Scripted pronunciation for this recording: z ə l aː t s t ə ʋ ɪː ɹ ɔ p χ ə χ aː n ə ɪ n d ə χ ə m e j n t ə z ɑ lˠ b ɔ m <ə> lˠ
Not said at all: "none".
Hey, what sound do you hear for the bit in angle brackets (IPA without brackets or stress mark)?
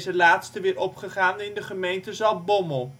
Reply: ə